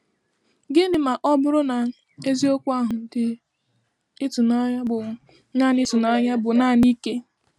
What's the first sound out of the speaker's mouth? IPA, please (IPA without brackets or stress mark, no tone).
ɡ